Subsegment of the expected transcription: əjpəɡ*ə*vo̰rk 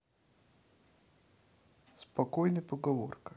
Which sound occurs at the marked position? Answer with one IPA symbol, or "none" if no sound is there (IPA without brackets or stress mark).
ɐ